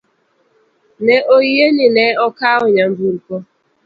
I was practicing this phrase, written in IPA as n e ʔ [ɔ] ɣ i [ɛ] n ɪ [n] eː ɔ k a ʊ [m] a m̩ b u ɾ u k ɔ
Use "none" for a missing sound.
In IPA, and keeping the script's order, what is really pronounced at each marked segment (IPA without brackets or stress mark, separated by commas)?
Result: o, e, n, ɲ